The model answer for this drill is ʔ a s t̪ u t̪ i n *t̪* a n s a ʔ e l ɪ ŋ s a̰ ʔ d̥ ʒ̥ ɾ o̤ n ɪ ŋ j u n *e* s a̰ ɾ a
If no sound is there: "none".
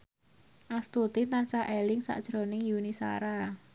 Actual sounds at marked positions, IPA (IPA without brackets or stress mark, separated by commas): t̪, i